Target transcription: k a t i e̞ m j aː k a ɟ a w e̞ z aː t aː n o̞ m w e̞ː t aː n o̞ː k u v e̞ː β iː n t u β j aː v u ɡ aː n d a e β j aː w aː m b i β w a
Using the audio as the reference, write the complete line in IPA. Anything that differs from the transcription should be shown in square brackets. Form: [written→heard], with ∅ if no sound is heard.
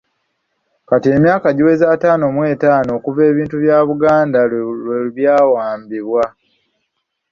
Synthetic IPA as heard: k a t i e̞ m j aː k a ɟ [a→i] w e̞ z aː t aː n o̞ m w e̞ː t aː n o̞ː k u v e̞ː β iː n t u β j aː [v→β] u ɡ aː n d a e β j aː w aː m b i β w a